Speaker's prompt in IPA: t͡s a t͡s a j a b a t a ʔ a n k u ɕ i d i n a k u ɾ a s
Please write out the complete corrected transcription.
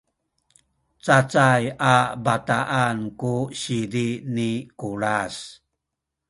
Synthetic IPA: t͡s a t͡s a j a b a t a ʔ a n k u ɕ i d i n i k u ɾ a s